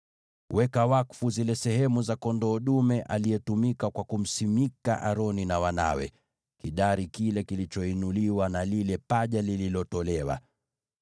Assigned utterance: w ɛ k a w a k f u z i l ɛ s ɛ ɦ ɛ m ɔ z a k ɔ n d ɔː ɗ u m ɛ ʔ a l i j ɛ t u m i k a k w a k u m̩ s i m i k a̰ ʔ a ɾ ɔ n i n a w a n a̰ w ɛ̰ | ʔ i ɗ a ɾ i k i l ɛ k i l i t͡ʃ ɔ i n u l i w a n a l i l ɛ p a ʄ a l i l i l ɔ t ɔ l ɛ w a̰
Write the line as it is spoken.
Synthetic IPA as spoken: w ɛ k a w a k f u z i l ɛ s ɛ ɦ ɛ m u z a k ɔ n d ɔː ɗ u m ɛ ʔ a l i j ɛ t u m i k a k w a k u m̩ s i m i k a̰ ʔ a ɾ ɔ n i n a w a n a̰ w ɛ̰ | k i ɗ a ɾ i k i l ɛ k i l i t͡ʃ ɔ i n u l i w a n a l i l ɛ p a ʄ a l i l i l ɔ t ɔ l ɛ w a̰